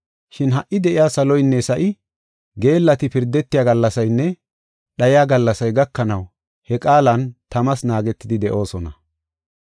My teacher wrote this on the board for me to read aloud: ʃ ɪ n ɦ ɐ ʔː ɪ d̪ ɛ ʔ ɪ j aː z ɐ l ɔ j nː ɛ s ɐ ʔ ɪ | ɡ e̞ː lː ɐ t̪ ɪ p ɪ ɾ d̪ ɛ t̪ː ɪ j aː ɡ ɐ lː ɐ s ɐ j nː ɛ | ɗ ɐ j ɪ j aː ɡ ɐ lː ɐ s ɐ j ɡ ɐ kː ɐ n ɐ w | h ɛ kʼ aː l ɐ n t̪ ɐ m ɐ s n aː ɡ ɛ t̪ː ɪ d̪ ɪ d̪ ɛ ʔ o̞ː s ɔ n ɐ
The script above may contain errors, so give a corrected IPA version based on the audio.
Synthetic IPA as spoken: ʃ ɪ n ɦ ɐ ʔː ɪ d̪ ɛ ʔ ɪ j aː s ɐ l ɔ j nː ɛ s ɐ ʔ ɪ | ɡ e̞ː lː ɐ t̪ ɪ p ɪ ɾ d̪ ɛ t̪ː ɪ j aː ɡ ɐ lː ɐ s ɐ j nː ɛ | ɗ ɐ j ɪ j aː ɡ ɐ lː ɐ s ɐ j ɡ ɐ kː ɐ n ɐ w | h ɛ kʼ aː l ɐ n t̪ ɐ m ɐ s n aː ɡ ɛ t̪ː ɪ d̪ ɪ d̪ ɛ ʔ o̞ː s ɔ n ɐ